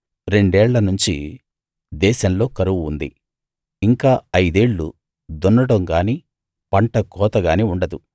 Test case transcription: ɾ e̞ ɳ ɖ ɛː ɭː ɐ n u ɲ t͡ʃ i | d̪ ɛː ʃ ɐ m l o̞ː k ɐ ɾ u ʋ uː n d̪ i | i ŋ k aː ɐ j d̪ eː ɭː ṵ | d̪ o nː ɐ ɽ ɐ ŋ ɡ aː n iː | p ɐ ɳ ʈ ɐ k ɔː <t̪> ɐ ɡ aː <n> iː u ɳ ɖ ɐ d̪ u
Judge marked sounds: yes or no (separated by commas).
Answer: yes, yes